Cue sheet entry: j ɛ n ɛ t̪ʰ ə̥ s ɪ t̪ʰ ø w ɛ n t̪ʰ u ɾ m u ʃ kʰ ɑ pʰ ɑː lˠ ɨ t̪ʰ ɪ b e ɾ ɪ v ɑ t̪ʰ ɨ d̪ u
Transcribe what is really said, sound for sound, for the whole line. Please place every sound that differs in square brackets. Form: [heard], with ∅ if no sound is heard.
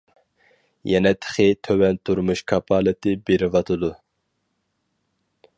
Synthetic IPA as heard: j ɛ n ɛ t̪ʰ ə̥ [χ] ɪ t̪ʰ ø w ɛ n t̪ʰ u ɾ m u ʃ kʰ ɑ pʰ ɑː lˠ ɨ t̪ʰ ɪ b e ɾ ɪ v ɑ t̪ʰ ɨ d̪ u